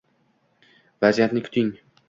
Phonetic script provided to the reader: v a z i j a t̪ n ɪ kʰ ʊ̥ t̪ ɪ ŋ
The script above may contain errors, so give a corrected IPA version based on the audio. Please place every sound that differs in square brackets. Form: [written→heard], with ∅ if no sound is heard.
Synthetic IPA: v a z i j a t̪ n ɪ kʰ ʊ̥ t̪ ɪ ŋ